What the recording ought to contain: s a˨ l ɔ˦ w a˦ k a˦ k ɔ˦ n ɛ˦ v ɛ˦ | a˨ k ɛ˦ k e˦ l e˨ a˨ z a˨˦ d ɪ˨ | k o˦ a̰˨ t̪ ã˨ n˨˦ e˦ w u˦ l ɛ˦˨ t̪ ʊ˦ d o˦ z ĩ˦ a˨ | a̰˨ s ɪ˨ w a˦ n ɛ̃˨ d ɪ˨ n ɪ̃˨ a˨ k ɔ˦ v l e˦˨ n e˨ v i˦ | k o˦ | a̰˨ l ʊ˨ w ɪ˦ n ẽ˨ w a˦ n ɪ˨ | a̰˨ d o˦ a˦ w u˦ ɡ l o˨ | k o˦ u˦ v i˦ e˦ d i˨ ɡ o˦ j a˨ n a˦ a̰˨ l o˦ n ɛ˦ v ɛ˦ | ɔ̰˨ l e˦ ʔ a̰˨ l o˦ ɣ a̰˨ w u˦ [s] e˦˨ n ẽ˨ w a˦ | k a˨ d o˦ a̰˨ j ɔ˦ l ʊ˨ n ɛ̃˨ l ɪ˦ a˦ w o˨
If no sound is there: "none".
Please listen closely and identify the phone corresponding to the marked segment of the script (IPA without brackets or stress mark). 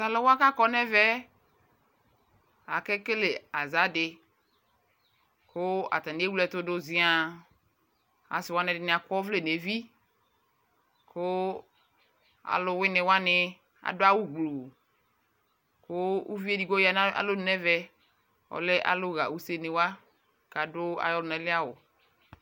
s